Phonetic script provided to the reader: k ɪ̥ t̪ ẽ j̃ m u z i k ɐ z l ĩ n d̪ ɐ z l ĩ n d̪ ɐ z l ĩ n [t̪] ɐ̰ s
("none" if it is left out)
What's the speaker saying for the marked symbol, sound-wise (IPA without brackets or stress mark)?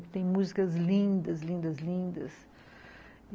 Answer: d̪